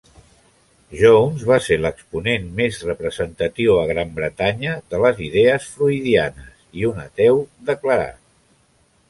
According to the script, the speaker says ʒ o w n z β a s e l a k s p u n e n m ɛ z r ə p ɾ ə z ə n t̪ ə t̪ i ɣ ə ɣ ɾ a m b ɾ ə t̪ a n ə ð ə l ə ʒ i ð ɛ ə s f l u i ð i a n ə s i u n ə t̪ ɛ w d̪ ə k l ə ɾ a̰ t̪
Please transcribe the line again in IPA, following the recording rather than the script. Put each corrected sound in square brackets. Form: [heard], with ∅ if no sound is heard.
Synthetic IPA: ʒ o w n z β a s e l [ə] k s p u n e n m [e] z r ə p ɾ ə z ə n t̪ ə t̪ i [w] ə ɣ ɾ a m b ɾ ə t̪ a [ɲ] ə ð ə l ə [z] i ð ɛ ə s f l u i ð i a n ə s i u n ə t̪ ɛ w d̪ ə k l ə ɾ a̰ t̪